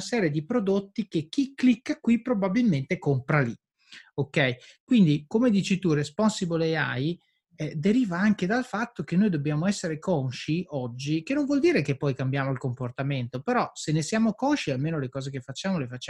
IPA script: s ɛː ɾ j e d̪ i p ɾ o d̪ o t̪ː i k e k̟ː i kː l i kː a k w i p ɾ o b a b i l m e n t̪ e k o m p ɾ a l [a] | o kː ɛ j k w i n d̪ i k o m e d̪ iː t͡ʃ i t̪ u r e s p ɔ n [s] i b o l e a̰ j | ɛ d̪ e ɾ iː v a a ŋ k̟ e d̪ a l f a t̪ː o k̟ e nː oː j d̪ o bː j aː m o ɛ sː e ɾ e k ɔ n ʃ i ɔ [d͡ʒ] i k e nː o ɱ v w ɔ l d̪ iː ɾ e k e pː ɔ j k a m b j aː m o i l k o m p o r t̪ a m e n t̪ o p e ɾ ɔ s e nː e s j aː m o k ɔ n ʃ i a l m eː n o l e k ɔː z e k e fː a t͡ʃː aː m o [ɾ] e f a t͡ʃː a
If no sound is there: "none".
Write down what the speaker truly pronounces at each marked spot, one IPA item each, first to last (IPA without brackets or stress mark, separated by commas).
i, s, d͡ʒː, l